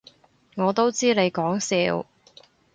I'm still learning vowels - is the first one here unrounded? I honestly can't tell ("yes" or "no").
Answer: no